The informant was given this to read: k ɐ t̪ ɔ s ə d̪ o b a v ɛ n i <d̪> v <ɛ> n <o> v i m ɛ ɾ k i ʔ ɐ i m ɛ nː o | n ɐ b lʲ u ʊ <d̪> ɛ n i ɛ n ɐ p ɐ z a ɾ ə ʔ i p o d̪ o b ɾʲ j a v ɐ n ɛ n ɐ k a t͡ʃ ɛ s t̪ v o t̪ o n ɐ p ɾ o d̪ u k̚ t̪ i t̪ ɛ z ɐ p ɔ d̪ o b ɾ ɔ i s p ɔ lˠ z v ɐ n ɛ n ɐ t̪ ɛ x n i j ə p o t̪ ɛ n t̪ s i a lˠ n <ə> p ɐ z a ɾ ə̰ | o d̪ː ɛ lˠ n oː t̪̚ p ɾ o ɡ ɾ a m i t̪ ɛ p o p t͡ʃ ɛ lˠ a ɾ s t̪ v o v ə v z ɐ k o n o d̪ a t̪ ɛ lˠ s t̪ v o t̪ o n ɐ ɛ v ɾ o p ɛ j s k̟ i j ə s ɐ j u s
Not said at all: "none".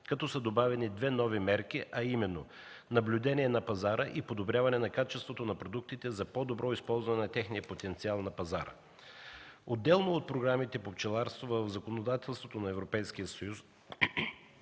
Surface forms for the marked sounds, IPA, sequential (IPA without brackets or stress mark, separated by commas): d̪, ɛ, ɔ, d̪, ɐ